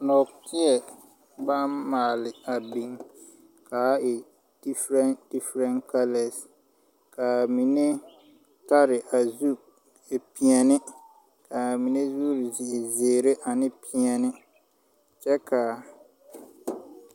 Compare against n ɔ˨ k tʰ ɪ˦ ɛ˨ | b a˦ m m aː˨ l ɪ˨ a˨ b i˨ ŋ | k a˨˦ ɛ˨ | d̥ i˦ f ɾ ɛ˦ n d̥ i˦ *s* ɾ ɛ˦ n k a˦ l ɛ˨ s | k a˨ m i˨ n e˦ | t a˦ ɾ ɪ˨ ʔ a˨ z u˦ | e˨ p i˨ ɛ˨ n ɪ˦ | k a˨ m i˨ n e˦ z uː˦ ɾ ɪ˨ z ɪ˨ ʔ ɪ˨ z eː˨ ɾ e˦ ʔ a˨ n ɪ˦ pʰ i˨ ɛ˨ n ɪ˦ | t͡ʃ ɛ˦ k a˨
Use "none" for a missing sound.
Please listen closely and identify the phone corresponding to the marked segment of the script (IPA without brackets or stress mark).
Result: f